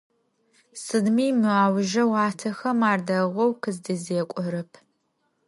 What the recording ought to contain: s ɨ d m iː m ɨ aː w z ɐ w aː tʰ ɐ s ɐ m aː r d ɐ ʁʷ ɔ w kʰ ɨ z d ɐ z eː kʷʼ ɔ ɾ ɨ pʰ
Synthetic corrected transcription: s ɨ d m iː m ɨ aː w ʒ ɐ w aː tʰ ɐ x ɐ m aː r d ɐ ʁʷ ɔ w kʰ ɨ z d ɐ z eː kʷʼ ɔ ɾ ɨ pʰ